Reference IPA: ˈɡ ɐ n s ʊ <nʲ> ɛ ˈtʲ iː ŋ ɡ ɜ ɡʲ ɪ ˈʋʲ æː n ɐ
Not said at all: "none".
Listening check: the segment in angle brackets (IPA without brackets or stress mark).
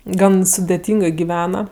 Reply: dʲ